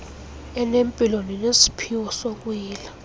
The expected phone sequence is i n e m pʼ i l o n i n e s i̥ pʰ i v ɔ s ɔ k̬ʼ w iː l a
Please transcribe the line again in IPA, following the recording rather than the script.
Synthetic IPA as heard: ɛ n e m pʼ i l o n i n e s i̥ pʰ i w ɔ s o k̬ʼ w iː l a